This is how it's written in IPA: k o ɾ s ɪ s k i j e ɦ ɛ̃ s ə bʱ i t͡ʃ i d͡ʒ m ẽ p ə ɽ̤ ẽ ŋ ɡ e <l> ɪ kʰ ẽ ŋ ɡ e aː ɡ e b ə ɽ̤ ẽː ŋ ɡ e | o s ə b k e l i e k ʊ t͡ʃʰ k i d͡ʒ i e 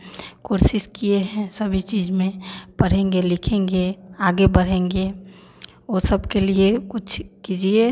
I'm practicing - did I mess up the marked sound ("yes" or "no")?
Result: no